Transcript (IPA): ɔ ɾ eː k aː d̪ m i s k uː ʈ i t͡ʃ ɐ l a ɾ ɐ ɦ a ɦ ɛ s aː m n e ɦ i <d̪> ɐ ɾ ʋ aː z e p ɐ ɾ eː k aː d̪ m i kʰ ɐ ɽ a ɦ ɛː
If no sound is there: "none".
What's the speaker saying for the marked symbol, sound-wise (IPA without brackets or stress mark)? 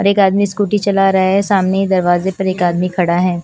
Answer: d̪